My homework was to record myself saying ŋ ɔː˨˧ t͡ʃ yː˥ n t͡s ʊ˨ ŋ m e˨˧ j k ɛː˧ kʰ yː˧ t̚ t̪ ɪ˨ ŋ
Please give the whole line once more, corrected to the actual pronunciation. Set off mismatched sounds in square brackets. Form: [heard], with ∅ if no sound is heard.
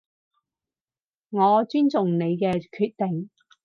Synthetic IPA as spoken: ŋ ɔː˨˧ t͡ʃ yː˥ n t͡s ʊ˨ ŋ [n] e˨˧ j k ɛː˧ kʰ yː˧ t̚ t̪ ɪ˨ ŋ